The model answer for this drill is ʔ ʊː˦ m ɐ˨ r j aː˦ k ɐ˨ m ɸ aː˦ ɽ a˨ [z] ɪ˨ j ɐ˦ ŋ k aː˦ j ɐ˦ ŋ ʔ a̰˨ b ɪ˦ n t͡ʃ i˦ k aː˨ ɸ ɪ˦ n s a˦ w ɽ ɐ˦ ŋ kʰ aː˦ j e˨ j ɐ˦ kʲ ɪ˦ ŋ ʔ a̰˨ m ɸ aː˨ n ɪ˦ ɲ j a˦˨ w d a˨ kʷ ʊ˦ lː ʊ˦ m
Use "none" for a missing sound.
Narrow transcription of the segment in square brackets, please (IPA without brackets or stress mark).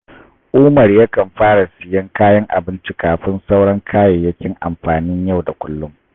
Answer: s